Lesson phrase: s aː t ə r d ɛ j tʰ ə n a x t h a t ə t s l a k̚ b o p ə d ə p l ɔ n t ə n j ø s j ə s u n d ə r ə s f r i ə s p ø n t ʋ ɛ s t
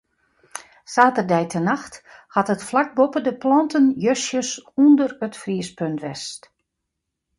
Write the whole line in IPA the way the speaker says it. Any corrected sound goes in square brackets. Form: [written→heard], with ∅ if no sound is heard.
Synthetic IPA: s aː t ə r d ɛ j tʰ ə n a x t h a t ə t [s→f] l a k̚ b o p ə d ə p l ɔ n t ə n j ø s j ə s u n d ə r ə [s→t] f r i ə s p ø n t ʋ ɛ s t